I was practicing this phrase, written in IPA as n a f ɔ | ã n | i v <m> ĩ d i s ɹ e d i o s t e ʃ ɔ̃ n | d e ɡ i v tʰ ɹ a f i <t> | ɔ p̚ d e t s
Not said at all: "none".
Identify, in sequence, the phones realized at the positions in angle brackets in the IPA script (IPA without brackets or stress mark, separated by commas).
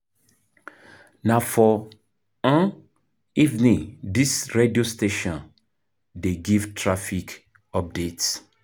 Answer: n, k